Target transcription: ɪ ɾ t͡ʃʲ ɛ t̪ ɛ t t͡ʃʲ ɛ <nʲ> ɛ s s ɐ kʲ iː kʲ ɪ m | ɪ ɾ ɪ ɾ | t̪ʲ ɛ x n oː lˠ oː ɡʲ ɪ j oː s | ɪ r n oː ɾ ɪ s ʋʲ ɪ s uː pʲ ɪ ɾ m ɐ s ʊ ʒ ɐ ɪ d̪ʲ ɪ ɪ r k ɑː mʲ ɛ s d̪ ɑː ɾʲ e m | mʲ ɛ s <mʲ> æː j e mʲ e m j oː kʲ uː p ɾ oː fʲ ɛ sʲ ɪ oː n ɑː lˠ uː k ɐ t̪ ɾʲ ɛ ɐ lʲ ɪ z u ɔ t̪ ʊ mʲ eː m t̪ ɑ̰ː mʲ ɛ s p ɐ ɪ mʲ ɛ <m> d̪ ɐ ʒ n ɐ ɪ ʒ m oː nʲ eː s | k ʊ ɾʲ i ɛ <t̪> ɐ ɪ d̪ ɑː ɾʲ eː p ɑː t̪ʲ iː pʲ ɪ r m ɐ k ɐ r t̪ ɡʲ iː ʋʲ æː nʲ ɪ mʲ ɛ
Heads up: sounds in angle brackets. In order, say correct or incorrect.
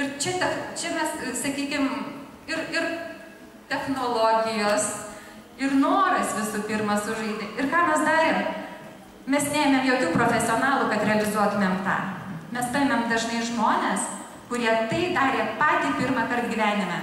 incorrect: mʲ, incorrect: nʲ, correct, correct

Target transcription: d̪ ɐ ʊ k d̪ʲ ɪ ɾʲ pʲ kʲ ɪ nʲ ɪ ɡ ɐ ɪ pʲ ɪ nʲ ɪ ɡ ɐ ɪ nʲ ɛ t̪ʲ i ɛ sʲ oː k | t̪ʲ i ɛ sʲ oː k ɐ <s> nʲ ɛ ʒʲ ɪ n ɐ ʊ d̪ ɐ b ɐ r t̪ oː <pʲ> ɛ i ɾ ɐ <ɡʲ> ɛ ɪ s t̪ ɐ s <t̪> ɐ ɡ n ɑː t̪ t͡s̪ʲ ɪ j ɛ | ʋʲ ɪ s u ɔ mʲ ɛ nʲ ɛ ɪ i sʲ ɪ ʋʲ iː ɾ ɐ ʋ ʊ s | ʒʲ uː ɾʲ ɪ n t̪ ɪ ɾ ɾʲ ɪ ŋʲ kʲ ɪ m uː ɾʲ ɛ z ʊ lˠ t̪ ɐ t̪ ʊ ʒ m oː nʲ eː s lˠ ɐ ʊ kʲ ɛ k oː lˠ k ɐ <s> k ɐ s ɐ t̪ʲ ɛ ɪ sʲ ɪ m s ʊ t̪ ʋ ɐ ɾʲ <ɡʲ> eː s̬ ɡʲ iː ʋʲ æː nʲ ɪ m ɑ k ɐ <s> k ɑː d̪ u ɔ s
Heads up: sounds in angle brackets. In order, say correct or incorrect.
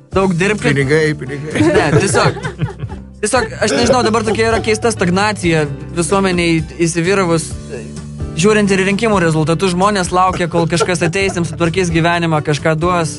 incorrect: ʃ, incorrect: kʲ, incorrect: kʲ, correct, incorrect: ʃ, incorrect: kʲ, incorrect: ʃ

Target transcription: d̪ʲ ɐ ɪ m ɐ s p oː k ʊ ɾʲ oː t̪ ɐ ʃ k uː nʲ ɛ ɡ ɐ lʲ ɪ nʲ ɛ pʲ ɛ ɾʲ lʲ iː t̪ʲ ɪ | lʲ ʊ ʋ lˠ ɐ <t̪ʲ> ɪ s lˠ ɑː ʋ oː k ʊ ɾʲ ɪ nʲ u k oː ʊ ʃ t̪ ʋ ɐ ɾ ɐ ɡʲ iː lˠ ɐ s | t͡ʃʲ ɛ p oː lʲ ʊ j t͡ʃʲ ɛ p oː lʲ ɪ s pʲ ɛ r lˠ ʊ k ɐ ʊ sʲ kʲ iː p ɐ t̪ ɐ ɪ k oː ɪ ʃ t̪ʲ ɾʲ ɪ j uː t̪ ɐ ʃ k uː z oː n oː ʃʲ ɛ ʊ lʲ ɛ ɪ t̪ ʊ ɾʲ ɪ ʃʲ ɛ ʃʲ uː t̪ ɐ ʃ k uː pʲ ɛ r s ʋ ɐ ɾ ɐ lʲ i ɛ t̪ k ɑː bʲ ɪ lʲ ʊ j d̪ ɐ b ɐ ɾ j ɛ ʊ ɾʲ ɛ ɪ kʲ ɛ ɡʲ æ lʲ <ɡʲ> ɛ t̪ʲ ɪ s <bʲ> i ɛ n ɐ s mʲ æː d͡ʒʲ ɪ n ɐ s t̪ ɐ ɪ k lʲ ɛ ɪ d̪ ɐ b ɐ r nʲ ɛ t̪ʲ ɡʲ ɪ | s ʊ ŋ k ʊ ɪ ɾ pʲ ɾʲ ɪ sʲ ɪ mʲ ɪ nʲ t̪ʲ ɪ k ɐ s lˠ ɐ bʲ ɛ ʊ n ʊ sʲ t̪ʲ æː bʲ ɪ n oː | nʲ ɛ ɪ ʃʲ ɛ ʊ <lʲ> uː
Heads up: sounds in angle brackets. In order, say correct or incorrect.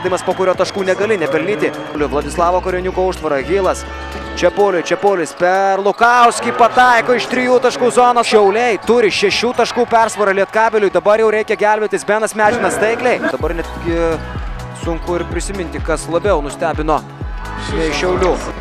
incorrect: d̪ʲ, incorrect: bʲ, correct, correct

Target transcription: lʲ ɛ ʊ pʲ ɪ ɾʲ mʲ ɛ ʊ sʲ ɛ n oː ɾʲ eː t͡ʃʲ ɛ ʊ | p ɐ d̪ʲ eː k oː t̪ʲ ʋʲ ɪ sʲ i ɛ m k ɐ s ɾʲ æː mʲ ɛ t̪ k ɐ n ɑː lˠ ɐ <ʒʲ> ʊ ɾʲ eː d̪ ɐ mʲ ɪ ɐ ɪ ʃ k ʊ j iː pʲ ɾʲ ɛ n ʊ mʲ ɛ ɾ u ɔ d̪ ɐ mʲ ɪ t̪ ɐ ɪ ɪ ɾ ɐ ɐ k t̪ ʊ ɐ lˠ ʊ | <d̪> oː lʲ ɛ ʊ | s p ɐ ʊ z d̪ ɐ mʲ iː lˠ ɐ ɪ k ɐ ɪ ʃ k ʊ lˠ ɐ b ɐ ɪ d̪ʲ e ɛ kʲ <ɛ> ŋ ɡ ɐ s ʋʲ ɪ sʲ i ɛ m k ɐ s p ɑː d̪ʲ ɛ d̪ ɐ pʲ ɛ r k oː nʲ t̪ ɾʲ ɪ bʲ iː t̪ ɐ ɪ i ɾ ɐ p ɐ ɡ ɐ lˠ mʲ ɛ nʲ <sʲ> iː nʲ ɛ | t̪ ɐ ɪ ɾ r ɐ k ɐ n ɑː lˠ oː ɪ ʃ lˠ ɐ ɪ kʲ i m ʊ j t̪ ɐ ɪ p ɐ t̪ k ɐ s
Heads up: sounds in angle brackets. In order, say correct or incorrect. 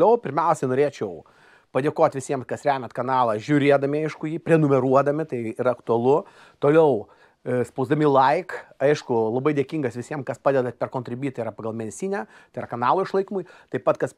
correct, incorrect: t̪, incorrect: i, correct

